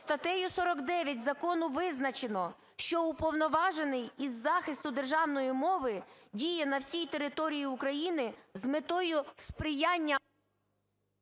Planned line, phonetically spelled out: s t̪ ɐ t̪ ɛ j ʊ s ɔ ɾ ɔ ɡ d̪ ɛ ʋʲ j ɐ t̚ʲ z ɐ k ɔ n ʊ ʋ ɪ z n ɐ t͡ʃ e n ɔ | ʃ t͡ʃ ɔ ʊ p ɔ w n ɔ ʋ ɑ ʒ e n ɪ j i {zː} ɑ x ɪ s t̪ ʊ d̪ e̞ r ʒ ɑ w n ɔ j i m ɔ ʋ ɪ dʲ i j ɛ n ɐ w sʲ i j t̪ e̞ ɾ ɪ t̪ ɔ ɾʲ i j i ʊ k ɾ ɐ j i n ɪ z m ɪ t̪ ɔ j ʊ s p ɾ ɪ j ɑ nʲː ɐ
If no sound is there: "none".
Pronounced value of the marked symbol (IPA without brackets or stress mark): zː